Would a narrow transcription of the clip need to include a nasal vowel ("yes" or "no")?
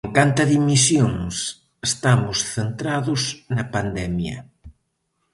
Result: no